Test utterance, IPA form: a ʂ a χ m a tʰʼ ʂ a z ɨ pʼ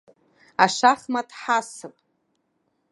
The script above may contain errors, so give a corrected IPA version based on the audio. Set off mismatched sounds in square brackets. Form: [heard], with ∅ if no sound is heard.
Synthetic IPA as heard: a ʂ a χ m a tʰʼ [ħ] a [s] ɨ pʼ